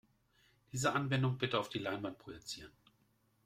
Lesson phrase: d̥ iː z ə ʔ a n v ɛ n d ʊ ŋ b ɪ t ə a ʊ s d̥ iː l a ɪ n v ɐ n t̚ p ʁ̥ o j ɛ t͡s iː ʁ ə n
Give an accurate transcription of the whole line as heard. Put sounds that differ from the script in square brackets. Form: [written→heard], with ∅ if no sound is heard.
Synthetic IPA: d̥ iː z ə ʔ a n v ɛ n d ʊ ŋ b ɪ t ə a ʊ [s→f] d̥ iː l a ɪ n v [ɐ→a] n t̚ p ʁ̥ o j ɛ t͡s iː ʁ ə n